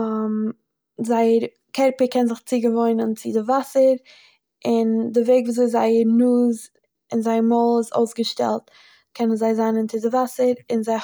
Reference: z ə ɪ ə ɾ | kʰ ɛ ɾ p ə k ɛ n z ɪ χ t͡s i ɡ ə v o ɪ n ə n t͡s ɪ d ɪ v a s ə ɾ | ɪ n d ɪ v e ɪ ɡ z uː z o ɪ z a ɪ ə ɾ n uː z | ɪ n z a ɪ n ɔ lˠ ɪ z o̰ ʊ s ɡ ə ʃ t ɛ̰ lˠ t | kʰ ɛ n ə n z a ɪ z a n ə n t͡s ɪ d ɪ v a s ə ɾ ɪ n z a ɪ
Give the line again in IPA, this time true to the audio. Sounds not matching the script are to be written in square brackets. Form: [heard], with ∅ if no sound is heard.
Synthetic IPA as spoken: z [a] ɪ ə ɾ | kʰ ɛ ɾ p ə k ɛ n z ɪ χ t͡s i ɡ ə v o ɪ n ə n t͡s ɪ d ɪ v a s ə ɾ | ɪ n d ɪ v e ɪ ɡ [v] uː z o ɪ z a ɪ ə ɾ n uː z | ɪ n z a ɪ [m] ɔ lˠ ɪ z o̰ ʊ s ɡ ə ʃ t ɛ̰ lˠ t | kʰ ɛ n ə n z a ɪ z a n ə n t͡s ɪ d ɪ v a s ə ɾ ɪ n z a ɪ